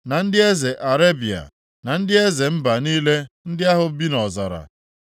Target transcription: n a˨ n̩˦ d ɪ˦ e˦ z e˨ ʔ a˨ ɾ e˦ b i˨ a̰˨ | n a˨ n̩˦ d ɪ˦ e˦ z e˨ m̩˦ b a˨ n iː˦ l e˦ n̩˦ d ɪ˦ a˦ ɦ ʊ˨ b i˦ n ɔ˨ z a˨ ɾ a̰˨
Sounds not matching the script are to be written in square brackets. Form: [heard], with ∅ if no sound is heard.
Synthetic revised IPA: n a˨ n̩˦ d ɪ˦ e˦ z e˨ ʔ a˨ ɾ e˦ b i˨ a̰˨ | n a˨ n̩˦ d ɪ˦ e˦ z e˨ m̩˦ b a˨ n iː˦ l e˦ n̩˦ d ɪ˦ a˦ ɦ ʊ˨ b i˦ n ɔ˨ z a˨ ɾ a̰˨